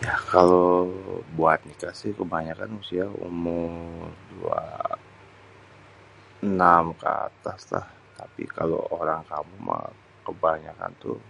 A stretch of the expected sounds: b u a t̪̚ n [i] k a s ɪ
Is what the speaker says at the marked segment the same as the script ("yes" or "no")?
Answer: yes